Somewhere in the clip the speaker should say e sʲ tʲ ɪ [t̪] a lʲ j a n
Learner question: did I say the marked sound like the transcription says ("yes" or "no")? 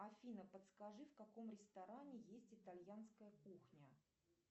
yes